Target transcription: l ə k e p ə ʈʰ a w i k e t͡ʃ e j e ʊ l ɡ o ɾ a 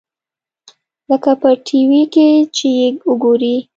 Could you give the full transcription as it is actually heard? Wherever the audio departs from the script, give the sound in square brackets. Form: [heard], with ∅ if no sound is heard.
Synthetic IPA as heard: l ə k [a] p ə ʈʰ [i] w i k e t͡ʃ e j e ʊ [∅] ɡ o ɾ [i]